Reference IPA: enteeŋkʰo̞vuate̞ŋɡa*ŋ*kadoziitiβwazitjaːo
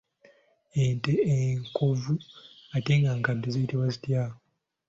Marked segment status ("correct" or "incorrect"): correct